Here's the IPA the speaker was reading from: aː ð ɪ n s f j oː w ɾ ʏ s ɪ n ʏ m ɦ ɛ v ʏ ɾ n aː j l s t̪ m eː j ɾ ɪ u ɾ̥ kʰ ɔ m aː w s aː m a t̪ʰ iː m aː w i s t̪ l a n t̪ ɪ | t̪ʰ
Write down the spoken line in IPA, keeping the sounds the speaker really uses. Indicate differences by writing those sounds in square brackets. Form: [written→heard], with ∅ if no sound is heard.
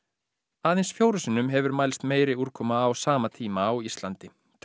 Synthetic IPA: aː ð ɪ n s f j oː w ɾ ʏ s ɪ n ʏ m ɦ ɛ v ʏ ɾ [n→m] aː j l s t̪ m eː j ɾ ɪ u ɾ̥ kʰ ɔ m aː w s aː m a t̪ʰ iː m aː w i s t̪ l a n t̪ ɪ | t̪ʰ